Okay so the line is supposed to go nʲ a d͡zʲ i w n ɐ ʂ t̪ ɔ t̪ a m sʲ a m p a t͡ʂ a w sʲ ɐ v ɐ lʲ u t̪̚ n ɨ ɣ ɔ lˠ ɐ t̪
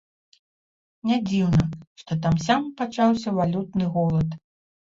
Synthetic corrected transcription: nʲ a d͡zʲ i w n ɐ ʂ t̪ ɔ t̪ a m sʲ a m p a t͡ʂ a w sʲ ɐ v a lʲ u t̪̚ n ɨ ɣ ɔ lˠ ɐ t̪